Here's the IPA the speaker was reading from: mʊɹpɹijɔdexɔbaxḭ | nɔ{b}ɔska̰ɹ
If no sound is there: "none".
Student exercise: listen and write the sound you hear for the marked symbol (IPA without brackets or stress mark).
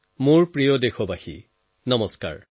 m